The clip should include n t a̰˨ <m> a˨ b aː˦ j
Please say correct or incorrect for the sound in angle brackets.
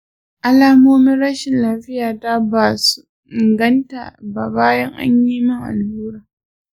incorrect